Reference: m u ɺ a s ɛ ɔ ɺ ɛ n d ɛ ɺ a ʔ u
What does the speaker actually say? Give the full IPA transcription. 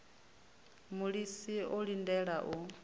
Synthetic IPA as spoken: m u ɺ i s i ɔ ɺ i n d ɛ ɺ a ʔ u